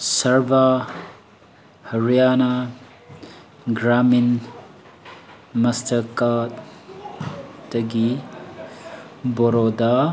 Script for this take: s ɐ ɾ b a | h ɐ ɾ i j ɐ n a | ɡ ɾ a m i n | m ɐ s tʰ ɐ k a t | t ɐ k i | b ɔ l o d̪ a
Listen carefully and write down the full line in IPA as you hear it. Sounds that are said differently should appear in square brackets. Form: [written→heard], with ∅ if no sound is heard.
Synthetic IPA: s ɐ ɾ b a | h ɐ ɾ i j [ɐ→a] n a | ɡ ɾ a m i n | m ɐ s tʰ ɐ k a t | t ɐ [k→ɡ] i | b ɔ [l→ɾ] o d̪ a